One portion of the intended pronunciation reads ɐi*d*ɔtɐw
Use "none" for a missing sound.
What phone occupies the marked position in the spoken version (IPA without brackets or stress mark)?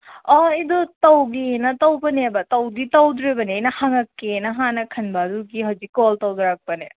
d